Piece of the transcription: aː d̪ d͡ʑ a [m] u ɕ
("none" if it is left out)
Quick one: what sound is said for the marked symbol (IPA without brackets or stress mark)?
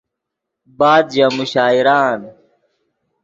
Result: m